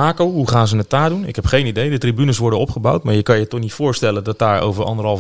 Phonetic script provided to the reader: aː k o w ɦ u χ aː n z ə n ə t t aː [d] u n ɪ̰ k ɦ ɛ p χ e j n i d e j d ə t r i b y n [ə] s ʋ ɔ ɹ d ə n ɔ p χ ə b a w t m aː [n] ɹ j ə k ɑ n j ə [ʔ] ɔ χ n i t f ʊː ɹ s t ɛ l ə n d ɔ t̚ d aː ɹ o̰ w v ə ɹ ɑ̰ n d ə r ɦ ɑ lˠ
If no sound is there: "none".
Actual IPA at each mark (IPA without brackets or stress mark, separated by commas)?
d, ə, none, t